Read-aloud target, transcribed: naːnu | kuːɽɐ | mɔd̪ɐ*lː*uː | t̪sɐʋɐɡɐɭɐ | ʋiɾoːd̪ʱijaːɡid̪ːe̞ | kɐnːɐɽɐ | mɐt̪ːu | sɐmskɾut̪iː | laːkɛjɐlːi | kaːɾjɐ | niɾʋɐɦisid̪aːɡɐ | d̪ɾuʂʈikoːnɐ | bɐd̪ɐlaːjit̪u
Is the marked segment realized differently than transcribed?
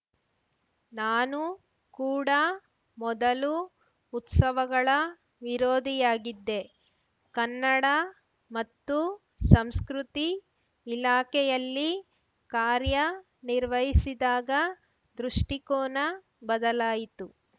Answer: yes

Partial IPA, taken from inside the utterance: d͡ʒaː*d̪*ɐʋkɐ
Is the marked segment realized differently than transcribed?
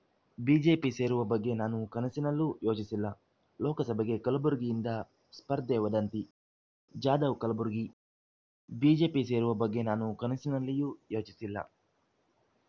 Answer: no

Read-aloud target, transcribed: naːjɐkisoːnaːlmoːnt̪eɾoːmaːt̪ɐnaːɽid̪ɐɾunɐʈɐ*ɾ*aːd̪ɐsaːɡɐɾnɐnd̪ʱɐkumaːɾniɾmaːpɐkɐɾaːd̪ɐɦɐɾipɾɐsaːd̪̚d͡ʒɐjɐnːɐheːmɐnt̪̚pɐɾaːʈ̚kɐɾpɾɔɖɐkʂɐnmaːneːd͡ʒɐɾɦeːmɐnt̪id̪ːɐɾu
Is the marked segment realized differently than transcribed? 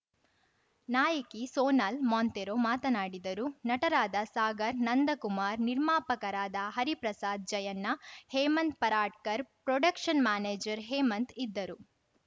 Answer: no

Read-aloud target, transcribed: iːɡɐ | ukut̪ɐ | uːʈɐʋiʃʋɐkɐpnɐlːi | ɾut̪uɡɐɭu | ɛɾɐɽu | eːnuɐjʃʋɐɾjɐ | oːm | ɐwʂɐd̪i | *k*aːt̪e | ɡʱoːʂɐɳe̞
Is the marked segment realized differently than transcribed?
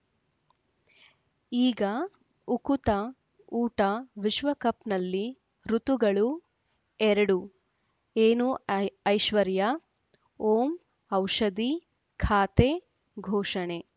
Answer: yes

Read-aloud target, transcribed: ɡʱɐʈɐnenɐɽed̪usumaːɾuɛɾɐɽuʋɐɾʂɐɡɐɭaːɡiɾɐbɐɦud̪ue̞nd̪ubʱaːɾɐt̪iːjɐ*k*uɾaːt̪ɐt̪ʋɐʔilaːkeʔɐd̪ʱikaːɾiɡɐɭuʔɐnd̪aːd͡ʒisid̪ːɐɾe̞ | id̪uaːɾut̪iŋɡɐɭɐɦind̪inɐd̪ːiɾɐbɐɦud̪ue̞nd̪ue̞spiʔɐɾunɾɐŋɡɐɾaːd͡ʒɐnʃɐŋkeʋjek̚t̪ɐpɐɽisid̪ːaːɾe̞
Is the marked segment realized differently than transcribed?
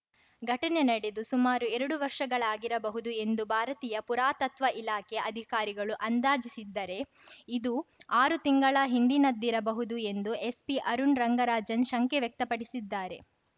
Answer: yes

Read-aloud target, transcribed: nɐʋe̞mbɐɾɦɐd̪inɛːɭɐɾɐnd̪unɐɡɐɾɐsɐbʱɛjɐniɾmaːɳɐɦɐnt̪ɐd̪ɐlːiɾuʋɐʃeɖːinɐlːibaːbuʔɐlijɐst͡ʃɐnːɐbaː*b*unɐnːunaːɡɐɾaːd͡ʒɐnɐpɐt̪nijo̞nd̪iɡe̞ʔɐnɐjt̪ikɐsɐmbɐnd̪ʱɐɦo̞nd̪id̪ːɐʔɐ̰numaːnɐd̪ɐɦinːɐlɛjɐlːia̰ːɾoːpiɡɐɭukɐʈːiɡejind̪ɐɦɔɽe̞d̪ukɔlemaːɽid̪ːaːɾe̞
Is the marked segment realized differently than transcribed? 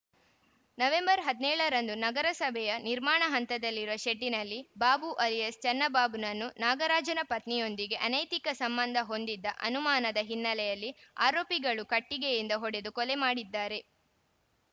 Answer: no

